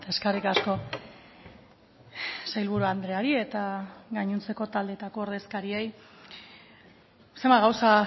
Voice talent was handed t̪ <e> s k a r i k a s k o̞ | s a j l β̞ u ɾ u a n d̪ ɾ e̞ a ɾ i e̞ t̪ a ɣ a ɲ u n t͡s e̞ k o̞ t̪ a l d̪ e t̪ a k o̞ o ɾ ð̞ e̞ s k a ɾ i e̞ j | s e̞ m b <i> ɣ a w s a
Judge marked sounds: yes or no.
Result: yes, no

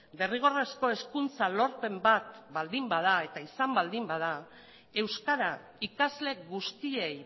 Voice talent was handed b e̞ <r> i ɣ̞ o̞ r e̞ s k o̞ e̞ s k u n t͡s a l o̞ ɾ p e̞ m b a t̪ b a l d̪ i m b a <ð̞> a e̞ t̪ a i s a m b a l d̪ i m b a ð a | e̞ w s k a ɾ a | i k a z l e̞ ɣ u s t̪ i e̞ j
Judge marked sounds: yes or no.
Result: yes, yes

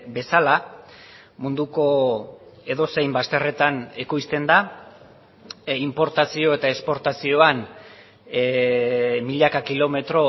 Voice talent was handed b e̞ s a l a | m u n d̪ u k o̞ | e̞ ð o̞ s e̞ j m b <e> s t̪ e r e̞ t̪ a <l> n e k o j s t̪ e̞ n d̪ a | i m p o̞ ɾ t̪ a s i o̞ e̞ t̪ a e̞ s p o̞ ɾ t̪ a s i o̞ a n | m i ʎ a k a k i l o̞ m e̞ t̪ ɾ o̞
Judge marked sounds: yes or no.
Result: no, no

